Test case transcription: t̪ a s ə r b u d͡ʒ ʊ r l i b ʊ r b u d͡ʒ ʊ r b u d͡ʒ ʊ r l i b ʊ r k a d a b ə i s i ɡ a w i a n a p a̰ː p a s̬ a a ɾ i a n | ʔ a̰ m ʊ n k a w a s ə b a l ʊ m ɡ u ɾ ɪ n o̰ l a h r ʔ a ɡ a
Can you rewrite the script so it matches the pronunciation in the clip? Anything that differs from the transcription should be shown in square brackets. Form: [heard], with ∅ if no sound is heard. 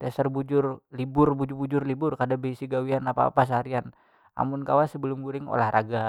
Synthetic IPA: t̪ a s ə r b u d͡ʒ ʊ r l i b ʊ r b u d͡ʒ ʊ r b u d͡ʒ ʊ r l i b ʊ r k a d a b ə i s i ɡ a w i a n a p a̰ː p a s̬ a a ɾ i a n | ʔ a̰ m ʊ n k a w a s ə b [ə] l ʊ m ɡ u ɾ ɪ [ŋ] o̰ l a h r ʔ a ɡ a